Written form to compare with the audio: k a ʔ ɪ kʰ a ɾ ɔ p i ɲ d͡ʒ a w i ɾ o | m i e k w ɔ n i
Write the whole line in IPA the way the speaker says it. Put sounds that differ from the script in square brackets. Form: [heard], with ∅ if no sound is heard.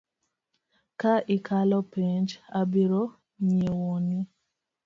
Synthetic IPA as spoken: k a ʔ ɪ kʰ a [l] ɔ p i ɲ d͡ʒ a [b] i ɾ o | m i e [∅] w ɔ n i